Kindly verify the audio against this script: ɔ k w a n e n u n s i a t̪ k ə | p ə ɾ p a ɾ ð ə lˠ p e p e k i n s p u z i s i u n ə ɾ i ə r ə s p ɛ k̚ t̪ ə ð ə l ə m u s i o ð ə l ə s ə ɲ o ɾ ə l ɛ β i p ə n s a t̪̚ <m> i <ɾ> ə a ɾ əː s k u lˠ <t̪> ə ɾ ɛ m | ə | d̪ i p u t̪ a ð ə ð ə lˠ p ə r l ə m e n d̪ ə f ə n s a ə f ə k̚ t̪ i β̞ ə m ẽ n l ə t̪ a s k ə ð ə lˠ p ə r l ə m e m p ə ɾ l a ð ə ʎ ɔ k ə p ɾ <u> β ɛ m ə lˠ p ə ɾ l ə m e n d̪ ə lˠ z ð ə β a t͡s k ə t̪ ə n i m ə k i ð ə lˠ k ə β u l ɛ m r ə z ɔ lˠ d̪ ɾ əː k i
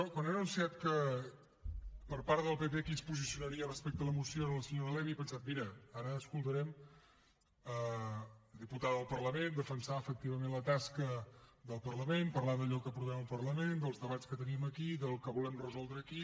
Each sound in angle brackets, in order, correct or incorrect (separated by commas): correct, correct, correct, correct